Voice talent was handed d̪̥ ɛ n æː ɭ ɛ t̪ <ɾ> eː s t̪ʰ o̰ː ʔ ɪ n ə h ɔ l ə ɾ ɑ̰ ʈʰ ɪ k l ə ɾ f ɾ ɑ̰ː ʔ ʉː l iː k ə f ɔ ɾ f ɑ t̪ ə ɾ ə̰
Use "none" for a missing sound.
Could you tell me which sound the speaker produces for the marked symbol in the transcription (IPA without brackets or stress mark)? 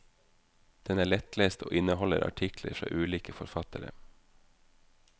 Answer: l